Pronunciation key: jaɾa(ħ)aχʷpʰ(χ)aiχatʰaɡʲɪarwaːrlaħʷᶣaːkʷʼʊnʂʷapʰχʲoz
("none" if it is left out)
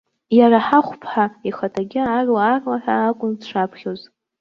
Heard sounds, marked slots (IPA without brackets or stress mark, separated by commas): ħ, ħ